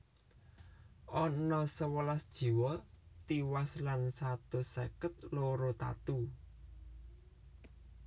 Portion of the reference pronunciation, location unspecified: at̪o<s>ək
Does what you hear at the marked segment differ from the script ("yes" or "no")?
no